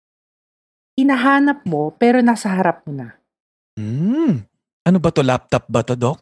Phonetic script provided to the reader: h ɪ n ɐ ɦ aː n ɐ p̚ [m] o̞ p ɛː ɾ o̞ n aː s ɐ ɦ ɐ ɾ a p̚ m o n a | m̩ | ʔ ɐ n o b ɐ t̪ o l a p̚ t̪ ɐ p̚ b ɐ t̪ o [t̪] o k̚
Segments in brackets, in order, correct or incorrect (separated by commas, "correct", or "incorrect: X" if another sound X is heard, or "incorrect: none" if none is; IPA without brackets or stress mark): correct, incorrect: d̪